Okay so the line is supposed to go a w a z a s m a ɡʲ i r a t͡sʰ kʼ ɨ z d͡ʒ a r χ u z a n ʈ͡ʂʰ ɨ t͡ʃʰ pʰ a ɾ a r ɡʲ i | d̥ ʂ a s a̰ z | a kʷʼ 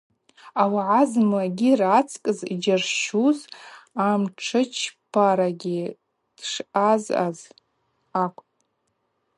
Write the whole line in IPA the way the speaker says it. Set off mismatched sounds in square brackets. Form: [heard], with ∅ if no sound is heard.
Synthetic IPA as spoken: a w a [ʕ] a [z] m a ɡʲ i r a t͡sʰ kʼ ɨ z d͡ʒ a r [ʃ] u z a [m] ʈ͡ʂʰ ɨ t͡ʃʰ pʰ a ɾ a [∅] ɡʲ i | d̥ ʂ a [z] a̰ z | a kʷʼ